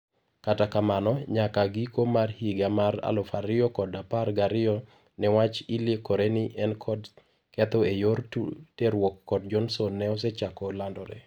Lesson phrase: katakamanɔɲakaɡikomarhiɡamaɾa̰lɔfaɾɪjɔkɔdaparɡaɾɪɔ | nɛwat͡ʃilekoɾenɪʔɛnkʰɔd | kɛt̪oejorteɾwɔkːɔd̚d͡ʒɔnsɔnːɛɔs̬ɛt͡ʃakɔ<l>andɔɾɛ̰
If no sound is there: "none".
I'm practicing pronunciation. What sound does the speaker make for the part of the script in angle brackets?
l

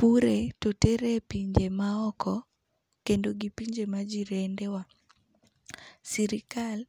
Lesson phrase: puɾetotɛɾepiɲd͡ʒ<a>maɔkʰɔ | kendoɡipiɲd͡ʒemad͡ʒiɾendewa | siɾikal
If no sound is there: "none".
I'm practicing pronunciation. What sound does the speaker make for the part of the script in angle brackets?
e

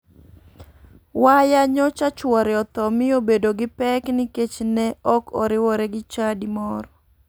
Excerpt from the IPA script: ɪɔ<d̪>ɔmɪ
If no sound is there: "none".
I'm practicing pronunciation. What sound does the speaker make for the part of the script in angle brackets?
t̪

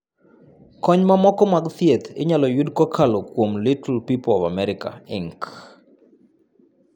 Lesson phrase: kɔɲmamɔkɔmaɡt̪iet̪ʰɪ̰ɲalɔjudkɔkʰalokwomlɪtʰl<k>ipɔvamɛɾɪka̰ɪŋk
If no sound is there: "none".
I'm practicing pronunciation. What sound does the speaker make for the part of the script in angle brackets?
p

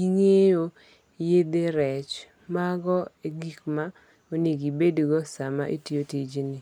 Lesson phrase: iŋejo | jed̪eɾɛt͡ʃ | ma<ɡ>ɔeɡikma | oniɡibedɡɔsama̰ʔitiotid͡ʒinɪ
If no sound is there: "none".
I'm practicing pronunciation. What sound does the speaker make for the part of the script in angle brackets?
ɡ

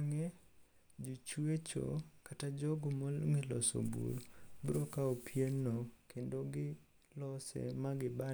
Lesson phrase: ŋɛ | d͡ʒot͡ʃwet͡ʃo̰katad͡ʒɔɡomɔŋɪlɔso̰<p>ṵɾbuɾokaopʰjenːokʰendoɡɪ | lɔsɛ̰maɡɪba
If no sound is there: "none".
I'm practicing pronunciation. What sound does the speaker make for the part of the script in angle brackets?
b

